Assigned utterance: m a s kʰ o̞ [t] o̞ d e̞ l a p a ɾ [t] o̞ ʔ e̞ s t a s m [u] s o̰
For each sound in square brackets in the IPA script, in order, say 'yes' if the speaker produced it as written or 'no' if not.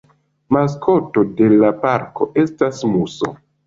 yes, no, yes

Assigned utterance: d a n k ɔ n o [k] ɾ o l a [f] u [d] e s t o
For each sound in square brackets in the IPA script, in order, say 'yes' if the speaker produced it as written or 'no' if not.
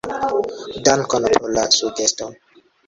no, no, no

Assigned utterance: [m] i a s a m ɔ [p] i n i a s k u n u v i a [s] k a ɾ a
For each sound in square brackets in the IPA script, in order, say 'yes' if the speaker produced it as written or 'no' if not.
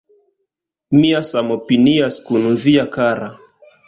yes, yes, no

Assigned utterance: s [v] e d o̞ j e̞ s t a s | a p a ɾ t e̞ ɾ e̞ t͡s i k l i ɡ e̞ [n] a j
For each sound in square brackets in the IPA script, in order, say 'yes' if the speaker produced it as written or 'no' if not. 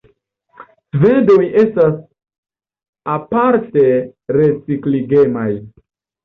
yes, no

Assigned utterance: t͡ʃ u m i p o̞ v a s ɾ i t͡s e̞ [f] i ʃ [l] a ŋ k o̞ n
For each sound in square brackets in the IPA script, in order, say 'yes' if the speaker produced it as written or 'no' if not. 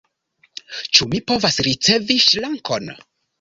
no, yes

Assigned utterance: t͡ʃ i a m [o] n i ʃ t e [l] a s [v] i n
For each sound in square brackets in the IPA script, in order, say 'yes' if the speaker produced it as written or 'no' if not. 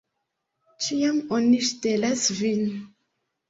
yes, yes, yes

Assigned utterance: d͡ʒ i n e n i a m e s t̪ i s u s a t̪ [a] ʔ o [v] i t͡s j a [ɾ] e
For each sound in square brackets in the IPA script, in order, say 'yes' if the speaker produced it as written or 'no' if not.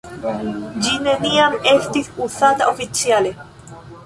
yes, no, no

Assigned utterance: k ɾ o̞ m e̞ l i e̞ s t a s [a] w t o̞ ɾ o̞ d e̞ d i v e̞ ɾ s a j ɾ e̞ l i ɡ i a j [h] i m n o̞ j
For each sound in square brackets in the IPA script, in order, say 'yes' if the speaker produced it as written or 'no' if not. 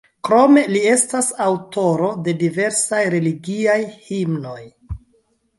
yes, yes

